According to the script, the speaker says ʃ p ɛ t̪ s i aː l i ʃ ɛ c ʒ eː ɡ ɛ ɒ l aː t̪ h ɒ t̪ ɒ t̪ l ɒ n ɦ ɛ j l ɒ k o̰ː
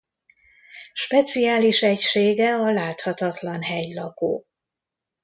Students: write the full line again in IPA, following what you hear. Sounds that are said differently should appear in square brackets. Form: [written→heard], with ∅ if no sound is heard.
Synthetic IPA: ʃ p ɛ t̪ s i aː l i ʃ ɛ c [ʒ→ʃ] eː ɡ ɛ ɒ l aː t̪ h ɒ t̪ ɒ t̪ l ɒ n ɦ ɛ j l ɒ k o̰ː